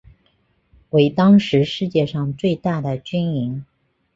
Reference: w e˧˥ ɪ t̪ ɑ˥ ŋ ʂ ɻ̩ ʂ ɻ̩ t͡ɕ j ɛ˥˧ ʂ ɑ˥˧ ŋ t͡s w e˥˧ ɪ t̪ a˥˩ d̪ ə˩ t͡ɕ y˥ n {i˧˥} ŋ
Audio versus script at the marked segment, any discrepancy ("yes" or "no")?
no